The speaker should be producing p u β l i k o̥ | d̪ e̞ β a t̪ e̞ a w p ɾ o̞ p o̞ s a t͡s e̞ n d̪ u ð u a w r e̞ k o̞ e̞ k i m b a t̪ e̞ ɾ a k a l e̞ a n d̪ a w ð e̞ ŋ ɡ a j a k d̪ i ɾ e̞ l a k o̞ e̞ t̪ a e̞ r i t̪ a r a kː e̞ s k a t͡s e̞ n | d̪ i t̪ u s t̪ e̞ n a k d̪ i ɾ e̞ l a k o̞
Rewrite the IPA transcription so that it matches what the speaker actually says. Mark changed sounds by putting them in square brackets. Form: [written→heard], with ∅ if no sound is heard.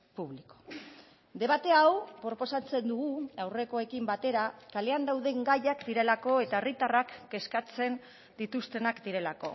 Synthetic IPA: p u β l i k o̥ | d̪ e̞ β a t̪ e̞ a w p ɾ o̞ p o̞ s a t͡s e̞ n d̪ u [ð→ɣ] u a w r e̞ k o̞ e̞ k i m b a t̪ e̞ ɾ a k a l e̞ a n d̪ a w ð e̞ ŋ ɡ a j a k d̪ i ɾ e̞ l a k o̞ e̞ t̪ a e̞ r i t̪ a r a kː e̞ s k a t͡s e̞ n | d̪ i t̪ u s t̪ e̞ n a k d̪ i ɾ e̞ l a k o̞

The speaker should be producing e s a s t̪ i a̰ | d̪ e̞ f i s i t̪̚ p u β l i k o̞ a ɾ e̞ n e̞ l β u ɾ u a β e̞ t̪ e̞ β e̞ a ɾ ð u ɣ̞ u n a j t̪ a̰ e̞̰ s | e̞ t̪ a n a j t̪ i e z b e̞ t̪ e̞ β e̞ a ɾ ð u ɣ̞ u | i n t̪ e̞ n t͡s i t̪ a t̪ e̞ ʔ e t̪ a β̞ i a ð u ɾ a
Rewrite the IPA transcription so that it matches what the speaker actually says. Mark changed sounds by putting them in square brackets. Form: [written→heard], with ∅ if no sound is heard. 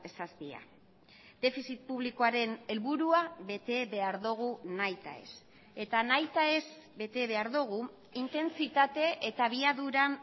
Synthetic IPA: e s a s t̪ i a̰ | d̪ e̞ f i s i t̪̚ p u β l i k o̞ a ɾ e̞ n e̞ l β u ɾ u a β e̞ t̪ e̞ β e̞ a ɾ ð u ɣ̞ u n a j t̪ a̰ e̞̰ s | e̞ t̪ a n a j t̪ [i→a] e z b e̞ t̪ e̞ β e̞ a ɾ ð u ɣ̞ u | i n t̪ e̞ n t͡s i t̪ a t̪ e̞ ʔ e t̪ a β̞ i a ð u ɾ a

